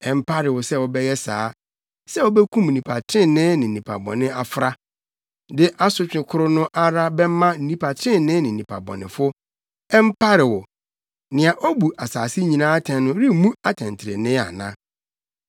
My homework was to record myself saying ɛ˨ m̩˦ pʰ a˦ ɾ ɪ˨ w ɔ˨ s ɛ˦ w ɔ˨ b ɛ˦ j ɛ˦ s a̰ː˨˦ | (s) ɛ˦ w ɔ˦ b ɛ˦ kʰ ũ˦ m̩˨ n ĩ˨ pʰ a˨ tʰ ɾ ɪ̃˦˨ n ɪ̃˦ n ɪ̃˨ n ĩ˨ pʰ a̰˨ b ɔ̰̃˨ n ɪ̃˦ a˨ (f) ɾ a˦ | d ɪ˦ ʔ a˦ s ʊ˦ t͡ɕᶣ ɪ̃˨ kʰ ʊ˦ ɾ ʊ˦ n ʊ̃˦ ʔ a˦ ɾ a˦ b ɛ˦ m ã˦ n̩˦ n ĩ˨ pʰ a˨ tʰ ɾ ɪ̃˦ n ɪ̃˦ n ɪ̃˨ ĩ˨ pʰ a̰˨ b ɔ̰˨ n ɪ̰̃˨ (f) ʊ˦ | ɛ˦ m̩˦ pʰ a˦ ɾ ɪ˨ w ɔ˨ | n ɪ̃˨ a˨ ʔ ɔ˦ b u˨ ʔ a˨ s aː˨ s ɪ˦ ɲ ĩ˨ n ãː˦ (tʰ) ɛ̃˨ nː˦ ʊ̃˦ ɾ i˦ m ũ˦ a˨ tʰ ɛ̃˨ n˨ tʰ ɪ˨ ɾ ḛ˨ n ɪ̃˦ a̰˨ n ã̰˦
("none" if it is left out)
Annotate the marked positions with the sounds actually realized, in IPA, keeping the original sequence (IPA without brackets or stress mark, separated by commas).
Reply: s, f, f, tʰ